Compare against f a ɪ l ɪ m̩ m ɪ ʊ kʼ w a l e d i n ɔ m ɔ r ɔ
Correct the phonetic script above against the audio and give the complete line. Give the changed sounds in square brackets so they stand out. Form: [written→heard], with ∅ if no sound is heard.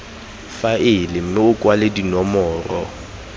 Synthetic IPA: f a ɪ l ɪ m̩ m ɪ ʊ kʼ w a l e d i n ɔ m [ɔ→ɔː] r ɔ